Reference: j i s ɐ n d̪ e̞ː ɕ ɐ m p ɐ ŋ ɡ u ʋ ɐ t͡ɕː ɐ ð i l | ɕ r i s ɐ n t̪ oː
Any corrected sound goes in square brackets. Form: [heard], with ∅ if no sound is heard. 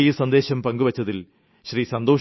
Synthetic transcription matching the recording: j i s ɐ n d̪ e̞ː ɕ ɐ m p ɐ ŋ ɡ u ʋ ɐ t͡ɕː ɐ ð i l | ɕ r i s ɐ n [d̪] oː